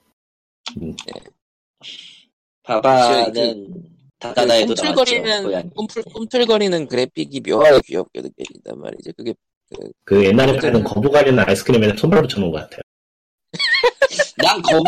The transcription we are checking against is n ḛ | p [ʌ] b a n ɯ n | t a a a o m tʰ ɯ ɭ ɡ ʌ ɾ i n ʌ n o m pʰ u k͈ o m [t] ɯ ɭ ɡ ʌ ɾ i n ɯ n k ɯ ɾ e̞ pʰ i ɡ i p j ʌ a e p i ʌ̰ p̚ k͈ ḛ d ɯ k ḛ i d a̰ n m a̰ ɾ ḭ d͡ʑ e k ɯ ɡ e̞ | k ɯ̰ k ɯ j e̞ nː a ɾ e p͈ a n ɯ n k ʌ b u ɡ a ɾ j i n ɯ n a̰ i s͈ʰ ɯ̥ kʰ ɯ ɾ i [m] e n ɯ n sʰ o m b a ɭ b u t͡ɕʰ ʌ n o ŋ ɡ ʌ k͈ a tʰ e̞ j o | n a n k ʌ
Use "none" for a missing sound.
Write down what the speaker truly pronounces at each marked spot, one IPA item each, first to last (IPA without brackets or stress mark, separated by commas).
a, tʰ, m